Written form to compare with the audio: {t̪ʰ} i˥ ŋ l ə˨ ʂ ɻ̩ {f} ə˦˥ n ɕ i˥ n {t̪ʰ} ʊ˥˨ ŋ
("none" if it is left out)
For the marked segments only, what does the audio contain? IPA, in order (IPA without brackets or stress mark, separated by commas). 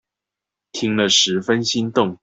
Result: t̪ʰ, f, t̪